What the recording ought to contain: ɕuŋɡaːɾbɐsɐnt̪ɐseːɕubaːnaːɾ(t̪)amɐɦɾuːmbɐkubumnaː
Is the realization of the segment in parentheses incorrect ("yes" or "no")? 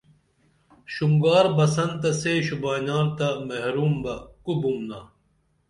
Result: no